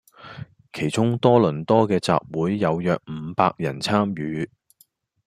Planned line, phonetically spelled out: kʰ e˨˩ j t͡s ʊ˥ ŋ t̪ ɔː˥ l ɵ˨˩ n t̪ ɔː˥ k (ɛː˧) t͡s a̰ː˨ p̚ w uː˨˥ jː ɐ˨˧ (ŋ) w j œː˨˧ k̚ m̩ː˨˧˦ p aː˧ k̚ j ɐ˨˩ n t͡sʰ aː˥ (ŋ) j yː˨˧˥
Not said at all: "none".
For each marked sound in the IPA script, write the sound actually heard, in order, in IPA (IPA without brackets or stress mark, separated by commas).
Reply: ɛː˧, none, m